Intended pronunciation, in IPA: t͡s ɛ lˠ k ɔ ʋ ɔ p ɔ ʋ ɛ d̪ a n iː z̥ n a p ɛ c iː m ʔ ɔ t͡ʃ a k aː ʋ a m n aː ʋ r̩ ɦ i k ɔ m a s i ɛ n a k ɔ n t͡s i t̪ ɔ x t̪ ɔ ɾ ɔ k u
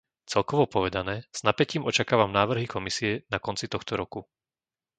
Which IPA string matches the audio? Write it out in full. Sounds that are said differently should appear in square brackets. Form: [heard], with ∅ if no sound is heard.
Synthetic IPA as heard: t͡s ɛ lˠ k ɔ ʋ ɔ p ɔ ʋ ɛ d̪ a n [ɛː] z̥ n a p ɛ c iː m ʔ ɔ t͡ʃ a k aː ʋ a m n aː ʋ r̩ ɦ i k ɔ m [i] s i ɛ n a k ɔ n t͡s i t̪ ɔ x t̪ ɔ ɾ ɔ k u